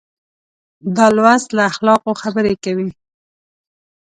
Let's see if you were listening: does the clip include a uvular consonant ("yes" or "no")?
yes